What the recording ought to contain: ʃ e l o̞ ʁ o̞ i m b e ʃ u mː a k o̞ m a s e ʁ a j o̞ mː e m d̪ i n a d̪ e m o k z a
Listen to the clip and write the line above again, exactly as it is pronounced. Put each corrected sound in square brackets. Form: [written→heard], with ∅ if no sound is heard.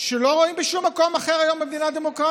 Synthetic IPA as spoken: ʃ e l o̞ ʁ o̞ i m b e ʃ u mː a k o̞ m a [s→χ] e ʁ a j o̞ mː e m d̪ i n a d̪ e m o k [z→ʁ] a